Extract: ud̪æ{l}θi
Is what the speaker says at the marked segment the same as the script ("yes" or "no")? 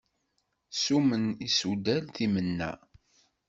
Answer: yes